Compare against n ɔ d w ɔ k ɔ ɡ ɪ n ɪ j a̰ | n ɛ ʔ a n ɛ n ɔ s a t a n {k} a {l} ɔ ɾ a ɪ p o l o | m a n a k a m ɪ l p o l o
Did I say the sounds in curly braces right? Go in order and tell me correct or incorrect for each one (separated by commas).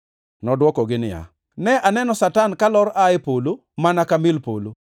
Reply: correct, correct